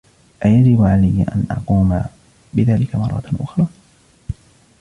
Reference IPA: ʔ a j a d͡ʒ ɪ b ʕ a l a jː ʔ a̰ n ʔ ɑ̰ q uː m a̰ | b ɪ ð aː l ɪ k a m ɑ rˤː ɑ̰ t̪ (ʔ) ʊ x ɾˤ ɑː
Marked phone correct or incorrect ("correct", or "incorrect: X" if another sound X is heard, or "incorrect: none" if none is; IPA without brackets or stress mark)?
correct